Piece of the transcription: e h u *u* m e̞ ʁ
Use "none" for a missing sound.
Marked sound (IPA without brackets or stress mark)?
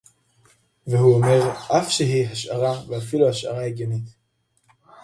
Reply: o